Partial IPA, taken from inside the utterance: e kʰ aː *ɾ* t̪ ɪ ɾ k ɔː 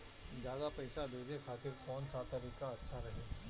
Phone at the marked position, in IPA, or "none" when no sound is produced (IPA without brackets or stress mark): none